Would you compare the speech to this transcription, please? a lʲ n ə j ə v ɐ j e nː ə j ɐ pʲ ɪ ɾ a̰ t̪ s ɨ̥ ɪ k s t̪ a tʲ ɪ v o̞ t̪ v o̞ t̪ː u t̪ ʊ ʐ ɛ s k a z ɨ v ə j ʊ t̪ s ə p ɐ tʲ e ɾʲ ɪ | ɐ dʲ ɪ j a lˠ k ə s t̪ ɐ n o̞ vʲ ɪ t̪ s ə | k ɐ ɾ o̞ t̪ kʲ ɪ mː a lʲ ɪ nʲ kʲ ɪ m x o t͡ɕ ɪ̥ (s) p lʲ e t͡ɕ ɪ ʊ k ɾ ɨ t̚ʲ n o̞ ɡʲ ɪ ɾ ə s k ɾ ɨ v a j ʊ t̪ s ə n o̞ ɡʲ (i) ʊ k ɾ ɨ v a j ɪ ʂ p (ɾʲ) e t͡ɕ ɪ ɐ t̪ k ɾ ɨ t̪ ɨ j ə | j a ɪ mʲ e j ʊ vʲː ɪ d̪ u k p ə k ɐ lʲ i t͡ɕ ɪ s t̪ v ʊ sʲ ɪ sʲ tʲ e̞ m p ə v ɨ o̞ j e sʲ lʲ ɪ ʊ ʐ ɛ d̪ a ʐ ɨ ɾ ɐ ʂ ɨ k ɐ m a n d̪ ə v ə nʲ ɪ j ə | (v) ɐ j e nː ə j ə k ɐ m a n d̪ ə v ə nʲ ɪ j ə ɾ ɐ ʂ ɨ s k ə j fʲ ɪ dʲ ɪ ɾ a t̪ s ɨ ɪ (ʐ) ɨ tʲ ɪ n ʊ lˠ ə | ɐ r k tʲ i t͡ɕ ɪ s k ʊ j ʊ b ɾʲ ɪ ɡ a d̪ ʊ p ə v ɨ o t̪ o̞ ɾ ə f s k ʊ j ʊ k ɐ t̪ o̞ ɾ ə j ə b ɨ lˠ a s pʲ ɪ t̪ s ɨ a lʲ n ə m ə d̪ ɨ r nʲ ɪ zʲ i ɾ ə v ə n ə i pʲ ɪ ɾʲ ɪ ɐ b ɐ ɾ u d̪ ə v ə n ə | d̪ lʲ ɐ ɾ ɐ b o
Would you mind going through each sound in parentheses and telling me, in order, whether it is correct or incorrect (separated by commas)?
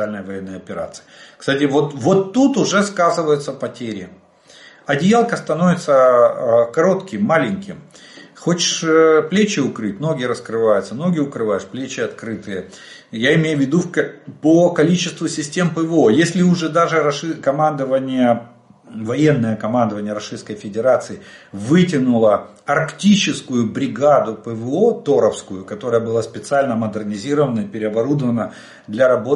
incorrect, incorrect, incorrect, correct, incorrect